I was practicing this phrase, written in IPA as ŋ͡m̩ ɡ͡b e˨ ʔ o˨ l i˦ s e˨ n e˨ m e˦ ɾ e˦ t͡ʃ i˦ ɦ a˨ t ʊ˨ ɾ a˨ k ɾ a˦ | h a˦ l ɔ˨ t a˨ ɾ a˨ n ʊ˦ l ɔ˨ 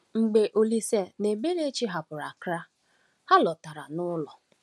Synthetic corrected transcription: ŋ͡m̩ ɡ͡b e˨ ʔ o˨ l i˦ s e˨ n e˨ b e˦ ɾ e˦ t͡ʃ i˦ ɦ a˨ p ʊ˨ ɾ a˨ k ɾ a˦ | h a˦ l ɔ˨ t a˨ ɾ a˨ n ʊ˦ l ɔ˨